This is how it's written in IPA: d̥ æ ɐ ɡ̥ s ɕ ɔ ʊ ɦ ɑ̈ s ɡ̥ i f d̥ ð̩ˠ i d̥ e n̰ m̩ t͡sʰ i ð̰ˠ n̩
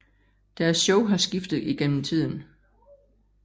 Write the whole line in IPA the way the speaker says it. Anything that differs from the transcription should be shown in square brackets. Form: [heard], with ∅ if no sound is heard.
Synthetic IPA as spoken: d̥ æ ɐ [∅] s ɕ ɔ ʊ ɦ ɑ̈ s ɡ̥ i f d̥ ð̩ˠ i [ɡ̥] e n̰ m̩ t͡sʰ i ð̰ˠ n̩